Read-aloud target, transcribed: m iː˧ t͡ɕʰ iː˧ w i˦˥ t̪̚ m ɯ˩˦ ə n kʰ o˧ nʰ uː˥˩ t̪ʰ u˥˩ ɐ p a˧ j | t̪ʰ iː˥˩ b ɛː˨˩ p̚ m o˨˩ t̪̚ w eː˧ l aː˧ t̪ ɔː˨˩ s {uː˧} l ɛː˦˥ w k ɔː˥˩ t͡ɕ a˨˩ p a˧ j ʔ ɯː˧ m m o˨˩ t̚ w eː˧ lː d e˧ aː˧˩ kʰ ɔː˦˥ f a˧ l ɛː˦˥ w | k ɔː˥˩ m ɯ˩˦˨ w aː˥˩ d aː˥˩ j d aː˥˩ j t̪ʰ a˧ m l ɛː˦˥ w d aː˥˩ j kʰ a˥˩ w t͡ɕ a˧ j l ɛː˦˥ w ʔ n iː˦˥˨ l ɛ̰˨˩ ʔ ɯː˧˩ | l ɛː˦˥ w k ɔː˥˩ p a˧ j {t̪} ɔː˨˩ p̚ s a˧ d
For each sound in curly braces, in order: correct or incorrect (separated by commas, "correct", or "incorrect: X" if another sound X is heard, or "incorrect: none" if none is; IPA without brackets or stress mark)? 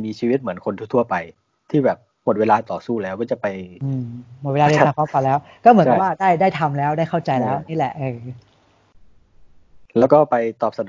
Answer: incorrect: uː˥˩, correct